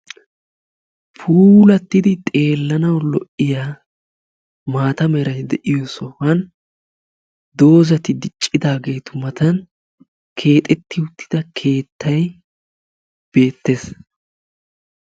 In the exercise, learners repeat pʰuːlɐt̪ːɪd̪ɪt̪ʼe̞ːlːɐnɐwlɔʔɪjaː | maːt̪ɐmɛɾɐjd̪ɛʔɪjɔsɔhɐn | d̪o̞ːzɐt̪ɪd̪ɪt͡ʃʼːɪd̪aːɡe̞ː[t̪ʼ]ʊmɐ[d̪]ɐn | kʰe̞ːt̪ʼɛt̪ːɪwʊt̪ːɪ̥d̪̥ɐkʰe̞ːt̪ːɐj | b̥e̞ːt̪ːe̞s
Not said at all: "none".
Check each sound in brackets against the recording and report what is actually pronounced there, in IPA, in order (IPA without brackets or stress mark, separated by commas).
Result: t̪, t̪